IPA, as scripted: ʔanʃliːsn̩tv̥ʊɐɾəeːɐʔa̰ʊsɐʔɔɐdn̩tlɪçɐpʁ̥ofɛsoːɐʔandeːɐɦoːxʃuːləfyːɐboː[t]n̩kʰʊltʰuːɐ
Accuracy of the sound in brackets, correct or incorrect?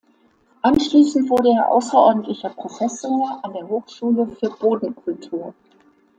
incorrect